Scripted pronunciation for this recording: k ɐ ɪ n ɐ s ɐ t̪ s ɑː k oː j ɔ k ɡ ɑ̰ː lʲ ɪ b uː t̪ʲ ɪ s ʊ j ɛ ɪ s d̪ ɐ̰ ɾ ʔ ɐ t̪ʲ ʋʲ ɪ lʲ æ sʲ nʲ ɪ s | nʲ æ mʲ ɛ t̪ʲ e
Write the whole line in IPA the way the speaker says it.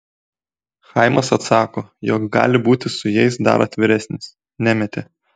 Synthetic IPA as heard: x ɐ ɪ m ɐ s ɐ t̪ s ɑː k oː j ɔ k ɡ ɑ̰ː lʲ ɪ b uː t̪ʲ ɪ s ʊ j ɛ ɪ s d̪ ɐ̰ ɾ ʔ ɐ t̪ʲ ʋʲ ɪ ɾʲ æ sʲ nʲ ɪ s | nʲ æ mʲ ɛ t̪ʲ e

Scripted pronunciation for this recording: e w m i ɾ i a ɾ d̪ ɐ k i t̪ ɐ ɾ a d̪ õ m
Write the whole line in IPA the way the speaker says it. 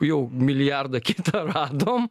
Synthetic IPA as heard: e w m i l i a ɾ d̪ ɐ k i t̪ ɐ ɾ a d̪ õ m

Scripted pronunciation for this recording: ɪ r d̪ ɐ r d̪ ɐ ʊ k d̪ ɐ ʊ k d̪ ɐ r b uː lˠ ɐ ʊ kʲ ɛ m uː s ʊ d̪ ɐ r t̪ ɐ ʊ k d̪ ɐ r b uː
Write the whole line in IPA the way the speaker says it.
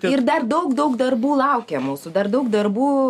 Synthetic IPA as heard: ɪ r d̪ ɐ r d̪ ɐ ʊ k d̪ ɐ ʊ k d̪ ɐ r b uː lˠ ɐ ʊ kʲ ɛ m uː s ʊ d̪ ɐ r d̪ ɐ ʊ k d̪ ɐ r b uː

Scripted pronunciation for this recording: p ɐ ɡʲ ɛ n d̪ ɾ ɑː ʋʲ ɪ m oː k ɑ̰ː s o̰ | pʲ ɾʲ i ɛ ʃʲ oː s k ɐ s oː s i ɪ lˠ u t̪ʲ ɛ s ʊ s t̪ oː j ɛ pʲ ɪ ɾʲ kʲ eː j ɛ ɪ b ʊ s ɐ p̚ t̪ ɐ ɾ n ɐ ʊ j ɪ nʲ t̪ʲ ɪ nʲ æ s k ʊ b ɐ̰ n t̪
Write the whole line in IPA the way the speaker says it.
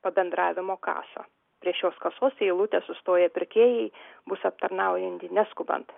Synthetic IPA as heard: p ɐ bʲ ɛ n d̪ ɾ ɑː ʋʲ ɪ m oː k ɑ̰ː s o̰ | pʲ ɾʲ i ɛ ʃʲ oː s k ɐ s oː s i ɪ lˠ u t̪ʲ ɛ s ʊ s t̪ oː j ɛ pʲ ɪ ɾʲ kʲ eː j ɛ ɪ b ʊ s ɐ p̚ t̪ ɐ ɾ n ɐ ʊ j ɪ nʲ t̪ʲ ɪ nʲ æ s k ʊ b ɐ̰ n t̪

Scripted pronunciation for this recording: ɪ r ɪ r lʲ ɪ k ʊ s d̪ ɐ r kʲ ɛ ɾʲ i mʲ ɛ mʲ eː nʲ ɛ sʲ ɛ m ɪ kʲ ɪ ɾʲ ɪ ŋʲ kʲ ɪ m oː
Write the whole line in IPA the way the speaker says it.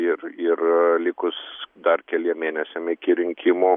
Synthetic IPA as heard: ɪ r ɪ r lʲ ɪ k ʊ s d̪ ɐ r kʲ ɛ lʲ i ɛ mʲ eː nʲ ɛ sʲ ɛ m ɪ kʲ ɪ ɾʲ ɪ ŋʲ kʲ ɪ m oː

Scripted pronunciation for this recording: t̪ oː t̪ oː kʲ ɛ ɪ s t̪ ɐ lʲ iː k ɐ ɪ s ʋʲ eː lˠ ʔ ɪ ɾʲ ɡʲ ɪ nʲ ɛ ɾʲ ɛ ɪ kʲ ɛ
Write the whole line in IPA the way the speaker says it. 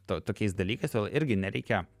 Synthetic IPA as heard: t̪ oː t̪ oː kʲ ɛ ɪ s d̪ ɐ lʲ iː k ɐ ɪ s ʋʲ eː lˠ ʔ ɪ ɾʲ ɡʲ ɪ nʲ ɛ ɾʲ ɛ ɪ kʲ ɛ

